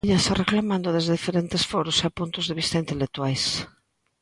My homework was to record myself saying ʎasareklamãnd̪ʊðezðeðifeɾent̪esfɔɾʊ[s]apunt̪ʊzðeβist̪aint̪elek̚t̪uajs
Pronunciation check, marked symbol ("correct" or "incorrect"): correct